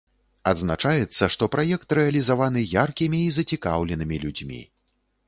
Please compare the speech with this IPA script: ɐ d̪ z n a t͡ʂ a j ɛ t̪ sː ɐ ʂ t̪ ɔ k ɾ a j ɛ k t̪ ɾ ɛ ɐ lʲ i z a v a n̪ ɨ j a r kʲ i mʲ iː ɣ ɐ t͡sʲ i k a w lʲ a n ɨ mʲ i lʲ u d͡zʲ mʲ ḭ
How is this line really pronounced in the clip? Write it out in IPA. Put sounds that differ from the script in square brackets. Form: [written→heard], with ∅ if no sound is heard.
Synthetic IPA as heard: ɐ d̪ z n a t͡ʂ a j ɛ t̪ sː ɐ ʂ t̪ ɔ [k→p] ɾ a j ɛ k t̪ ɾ ɛ ɐ lʲ i z a v a n̪ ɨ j a r kʲ i mʲ iː [ɣ→z] ɐ t͡sʲ i k a w lʲ [a→ɛ] n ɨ mʲ i lʲ u d͡zʲ mʲ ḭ